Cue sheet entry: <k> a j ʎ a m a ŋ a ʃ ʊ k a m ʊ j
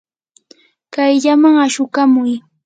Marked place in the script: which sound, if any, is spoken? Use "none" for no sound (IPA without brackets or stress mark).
k